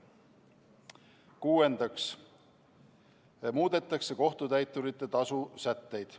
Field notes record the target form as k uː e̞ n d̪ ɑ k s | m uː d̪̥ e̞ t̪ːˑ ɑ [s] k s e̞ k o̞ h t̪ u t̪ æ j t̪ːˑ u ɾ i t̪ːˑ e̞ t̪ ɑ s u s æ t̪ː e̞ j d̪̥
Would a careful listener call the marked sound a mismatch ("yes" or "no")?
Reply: yes